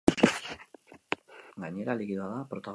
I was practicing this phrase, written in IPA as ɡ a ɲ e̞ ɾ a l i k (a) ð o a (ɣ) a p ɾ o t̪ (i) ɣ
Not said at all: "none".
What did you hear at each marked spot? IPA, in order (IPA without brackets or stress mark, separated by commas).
i, ð, a